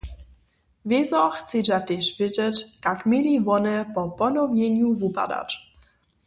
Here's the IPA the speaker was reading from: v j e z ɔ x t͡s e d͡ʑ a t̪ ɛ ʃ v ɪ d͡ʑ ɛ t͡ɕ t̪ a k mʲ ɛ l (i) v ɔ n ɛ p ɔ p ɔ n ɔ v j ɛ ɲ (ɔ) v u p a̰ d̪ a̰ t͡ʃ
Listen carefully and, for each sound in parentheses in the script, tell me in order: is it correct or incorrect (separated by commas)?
correct, incorrect